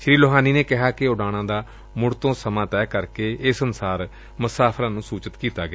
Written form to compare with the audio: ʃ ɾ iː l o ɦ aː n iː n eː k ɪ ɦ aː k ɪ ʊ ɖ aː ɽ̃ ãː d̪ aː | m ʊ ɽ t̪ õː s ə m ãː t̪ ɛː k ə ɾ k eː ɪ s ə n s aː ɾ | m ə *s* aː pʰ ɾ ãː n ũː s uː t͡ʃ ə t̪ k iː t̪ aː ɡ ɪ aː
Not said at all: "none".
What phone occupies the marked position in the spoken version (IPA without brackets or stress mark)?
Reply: s